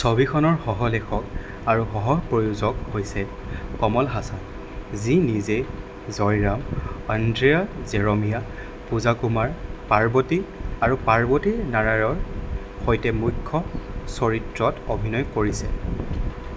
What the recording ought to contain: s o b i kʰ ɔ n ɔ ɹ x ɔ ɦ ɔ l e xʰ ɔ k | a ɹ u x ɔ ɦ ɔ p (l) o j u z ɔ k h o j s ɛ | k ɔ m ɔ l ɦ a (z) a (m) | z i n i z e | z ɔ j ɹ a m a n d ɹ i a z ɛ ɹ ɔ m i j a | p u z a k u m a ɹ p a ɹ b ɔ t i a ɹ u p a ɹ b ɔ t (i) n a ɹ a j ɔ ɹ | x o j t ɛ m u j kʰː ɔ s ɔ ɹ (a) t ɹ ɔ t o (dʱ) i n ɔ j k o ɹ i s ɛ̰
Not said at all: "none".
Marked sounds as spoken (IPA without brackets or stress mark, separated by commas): ɹ, s, n, i, i, bʱ